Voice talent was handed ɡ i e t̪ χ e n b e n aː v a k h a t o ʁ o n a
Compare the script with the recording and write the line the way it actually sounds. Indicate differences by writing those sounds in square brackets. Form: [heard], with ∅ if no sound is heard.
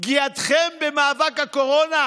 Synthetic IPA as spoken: ɡ i [a] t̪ χ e [m] b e [m] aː v a k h a [k] o ʁ o n a